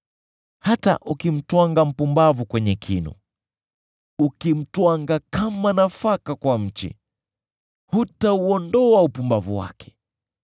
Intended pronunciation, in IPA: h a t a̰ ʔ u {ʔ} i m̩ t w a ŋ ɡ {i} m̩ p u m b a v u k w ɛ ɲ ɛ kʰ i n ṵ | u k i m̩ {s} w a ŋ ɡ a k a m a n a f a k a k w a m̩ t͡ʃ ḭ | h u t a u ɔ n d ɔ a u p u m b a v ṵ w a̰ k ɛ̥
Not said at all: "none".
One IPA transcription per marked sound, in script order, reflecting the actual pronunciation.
k, a, t

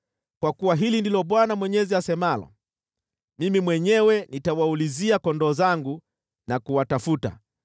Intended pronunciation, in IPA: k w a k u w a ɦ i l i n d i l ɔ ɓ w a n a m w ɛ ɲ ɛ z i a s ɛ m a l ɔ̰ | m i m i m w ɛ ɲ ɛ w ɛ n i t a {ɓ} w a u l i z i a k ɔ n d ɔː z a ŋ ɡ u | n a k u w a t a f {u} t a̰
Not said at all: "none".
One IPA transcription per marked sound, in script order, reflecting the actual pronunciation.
none, u

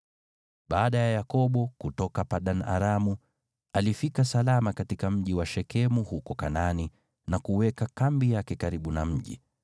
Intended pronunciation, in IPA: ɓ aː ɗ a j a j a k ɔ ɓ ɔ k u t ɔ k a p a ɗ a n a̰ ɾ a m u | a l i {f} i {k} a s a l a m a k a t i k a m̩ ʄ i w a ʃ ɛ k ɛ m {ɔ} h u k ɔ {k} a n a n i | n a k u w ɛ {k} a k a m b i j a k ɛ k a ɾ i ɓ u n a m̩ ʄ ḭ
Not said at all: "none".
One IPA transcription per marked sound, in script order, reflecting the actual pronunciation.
f, k, u, k, k

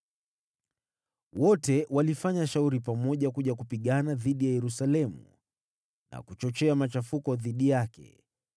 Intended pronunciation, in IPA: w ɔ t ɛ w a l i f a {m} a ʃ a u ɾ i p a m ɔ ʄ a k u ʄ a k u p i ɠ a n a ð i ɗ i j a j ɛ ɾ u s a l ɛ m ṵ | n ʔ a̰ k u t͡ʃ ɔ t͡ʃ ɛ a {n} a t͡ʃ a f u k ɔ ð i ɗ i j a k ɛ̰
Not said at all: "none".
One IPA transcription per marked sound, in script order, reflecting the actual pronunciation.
ɲ, m

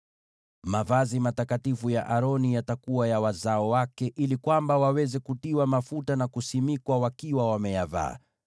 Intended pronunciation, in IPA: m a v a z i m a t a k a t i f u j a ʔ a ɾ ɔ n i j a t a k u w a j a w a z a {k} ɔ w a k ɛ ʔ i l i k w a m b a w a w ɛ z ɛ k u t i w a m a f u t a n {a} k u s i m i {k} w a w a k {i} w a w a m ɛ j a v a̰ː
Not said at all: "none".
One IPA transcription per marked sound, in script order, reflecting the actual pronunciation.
none, a, k, i

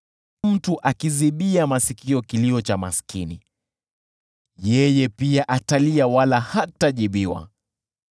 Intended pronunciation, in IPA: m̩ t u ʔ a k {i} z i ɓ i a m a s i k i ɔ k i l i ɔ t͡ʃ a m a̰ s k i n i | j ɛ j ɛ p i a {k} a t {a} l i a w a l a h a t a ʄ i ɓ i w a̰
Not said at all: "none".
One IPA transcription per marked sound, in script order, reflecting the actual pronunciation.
i, ʔ, a

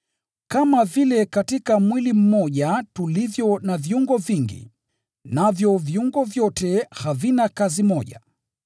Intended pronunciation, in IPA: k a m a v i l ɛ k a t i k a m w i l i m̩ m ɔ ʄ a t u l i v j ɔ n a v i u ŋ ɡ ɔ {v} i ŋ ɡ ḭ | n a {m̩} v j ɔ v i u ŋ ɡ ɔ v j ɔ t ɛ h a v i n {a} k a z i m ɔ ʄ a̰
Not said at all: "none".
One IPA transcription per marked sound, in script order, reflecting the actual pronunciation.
v, none, a

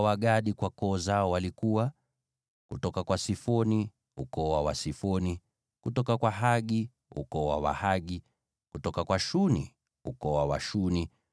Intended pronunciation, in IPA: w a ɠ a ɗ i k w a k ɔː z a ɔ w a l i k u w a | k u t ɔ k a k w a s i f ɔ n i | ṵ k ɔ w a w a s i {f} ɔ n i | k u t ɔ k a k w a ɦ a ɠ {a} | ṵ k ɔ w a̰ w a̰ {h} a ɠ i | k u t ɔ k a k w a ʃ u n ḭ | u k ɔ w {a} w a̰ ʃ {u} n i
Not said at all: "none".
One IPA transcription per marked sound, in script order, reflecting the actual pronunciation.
f, i, h, a, u

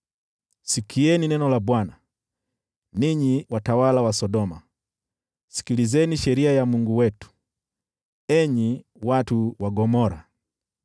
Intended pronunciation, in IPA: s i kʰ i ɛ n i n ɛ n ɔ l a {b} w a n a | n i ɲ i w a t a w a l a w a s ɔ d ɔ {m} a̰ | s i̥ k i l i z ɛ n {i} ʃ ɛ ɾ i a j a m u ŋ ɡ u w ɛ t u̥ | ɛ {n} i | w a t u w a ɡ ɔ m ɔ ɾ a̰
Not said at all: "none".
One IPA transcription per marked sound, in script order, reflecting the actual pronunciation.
b, m, i, ɲ

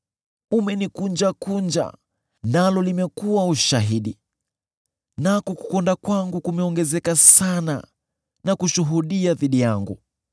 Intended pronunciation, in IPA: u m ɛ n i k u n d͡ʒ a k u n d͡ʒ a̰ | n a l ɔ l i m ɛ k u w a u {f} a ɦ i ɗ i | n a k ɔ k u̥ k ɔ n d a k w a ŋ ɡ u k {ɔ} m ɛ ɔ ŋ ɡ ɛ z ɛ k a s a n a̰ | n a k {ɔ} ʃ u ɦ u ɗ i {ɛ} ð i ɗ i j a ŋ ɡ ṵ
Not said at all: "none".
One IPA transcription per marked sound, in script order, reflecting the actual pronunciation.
ʃ, u, u, a

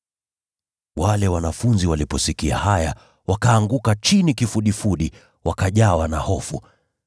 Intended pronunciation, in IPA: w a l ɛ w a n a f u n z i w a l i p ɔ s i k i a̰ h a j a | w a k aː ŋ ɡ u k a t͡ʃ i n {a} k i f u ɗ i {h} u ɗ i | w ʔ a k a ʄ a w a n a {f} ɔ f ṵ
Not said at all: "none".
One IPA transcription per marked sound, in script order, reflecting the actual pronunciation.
i, f, h

